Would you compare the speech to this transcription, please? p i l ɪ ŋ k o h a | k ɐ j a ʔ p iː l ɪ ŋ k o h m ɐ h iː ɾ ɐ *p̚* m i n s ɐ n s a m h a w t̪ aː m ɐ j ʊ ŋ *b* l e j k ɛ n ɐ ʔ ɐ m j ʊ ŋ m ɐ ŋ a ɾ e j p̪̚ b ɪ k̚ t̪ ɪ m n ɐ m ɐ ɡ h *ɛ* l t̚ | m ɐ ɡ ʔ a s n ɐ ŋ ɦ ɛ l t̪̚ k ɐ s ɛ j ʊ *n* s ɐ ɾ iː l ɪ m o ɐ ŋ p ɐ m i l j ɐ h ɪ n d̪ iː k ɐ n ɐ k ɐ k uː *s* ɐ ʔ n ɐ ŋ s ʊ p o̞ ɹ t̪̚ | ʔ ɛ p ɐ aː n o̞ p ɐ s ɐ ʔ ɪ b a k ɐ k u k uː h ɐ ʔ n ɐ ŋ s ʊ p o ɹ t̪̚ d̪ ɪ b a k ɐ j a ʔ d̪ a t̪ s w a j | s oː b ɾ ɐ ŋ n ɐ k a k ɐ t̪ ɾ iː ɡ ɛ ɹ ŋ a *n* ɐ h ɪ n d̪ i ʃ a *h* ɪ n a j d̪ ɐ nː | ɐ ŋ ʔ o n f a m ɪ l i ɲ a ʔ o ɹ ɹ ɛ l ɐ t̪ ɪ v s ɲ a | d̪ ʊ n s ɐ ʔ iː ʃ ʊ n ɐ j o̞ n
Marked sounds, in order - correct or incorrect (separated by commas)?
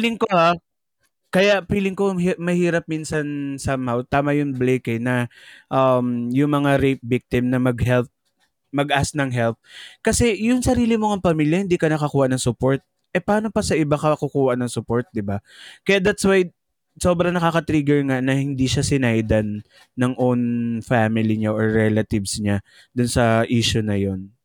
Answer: correct, correct, correct, incorrect, incorrect, correct, incorrect